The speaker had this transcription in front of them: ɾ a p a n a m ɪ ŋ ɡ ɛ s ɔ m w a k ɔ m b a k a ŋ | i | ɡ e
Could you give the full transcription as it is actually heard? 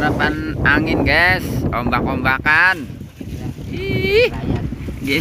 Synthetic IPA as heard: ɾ a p a n a ŋ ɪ n ɡ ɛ s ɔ m b a k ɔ m b a k a n | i | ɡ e